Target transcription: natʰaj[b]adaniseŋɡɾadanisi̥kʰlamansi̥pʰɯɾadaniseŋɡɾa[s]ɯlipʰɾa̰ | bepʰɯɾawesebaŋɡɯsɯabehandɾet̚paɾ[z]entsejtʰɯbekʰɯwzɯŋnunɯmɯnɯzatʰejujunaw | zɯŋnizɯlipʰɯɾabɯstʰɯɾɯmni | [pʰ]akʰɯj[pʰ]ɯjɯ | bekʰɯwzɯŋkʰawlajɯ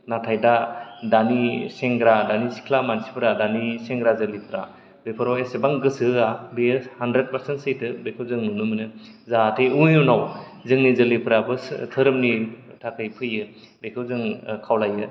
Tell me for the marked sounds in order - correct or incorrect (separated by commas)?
incorrect, incorrect, incorrect, incorrect, correct